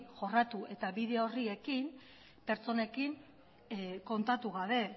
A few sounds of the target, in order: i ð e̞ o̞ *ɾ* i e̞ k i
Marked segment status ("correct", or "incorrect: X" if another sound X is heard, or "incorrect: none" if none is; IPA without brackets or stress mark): incorrect: r